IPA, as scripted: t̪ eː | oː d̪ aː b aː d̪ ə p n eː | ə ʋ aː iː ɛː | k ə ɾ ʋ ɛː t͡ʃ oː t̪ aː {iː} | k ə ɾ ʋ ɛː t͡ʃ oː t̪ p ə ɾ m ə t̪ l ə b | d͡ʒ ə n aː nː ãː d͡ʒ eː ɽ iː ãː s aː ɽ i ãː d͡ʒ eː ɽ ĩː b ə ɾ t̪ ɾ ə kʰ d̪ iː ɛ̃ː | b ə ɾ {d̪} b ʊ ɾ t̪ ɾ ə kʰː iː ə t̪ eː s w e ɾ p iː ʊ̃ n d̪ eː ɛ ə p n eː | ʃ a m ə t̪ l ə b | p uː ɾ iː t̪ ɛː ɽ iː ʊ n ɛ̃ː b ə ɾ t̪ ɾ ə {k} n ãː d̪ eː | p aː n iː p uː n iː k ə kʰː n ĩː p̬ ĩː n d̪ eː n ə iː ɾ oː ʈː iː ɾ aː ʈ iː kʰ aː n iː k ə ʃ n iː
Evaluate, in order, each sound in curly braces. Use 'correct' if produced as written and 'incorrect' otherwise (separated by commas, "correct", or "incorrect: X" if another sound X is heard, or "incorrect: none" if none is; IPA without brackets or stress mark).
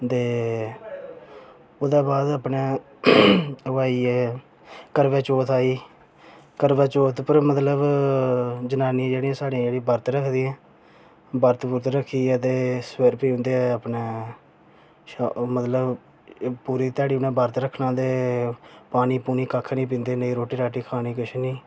correct, incorrect: t̪, incorrect: kʰ